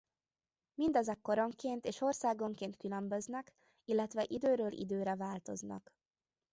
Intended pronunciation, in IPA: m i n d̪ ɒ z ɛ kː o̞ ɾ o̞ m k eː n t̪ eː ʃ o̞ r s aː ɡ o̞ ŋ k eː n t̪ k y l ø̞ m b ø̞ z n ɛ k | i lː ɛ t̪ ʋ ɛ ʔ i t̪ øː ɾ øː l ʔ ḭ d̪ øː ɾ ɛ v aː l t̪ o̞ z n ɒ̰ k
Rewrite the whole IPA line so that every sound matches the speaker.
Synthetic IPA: m i n d̪ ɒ z ɛ kː o̞ ɾ o̞ ŋ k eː n t̪ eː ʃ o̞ r s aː ɡ o̞ ŋ k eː n t̪ k y l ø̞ m b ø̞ z n ɛ k | i lː ɛ t̪ ʋ ɛ ʔ i d̪ øː ɾ øː l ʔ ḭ d̪ øː ɾ ɛ v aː l t̪ o̞ z n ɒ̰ k